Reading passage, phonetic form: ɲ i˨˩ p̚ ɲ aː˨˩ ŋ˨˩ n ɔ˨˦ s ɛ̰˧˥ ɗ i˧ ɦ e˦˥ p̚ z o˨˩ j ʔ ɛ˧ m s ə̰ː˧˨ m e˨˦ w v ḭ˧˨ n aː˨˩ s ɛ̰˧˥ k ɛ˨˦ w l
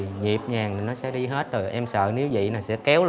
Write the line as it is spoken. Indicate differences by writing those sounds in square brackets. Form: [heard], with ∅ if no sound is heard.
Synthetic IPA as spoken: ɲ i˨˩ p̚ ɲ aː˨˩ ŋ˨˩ n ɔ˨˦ s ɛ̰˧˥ ɗ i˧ ɦ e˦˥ [t̚] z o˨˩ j ʔ ɛ˧ m s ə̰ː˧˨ [n] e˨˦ w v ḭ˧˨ n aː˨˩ s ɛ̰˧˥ k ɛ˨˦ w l